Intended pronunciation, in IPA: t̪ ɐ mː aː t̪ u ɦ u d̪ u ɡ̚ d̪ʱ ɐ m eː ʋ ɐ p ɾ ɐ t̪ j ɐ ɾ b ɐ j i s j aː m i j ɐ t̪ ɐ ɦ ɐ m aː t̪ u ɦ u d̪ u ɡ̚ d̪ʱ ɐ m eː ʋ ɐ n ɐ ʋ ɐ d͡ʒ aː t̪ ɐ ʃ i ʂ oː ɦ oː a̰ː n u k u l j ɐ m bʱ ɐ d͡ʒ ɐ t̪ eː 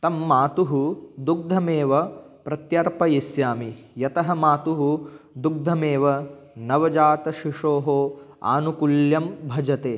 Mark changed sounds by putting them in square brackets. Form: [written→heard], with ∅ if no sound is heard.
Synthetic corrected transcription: t̪ ɐ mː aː t̪ u ɦ u d̪ u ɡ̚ d̪ʱ ɐ m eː ʋ ɐ p ɾ ɐ t̪ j ɐ ɾ [b→p] ɐ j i s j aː m i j ɐ t̪ ɐ ɦ ɐ m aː t̪ u ɦ u d̪ u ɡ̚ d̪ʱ ɐ m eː ʋ ɐ n ɐ ʋ ɐ d͡ʒ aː t̪ ɐ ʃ i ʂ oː ɦ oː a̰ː n u k u l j ɐ m bʱ ɐ d͡ʒ ɐ t̪ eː